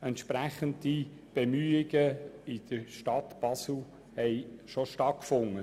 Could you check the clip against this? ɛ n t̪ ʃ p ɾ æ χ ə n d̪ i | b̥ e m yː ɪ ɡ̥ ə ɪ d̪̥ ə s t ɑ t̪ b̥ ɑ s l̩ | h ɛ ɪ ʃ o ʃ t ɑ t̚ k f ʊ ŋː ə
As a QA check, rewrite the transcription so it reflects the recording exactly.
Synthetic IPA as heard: ɛ n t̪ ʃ p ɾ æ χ ə n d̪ i | b̥ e m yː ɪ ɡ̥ ə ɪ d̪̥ ə ʃ t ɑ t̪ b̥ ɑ s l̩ | h ɛ ɪ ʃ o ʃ t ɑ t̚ k f ʊ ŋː ə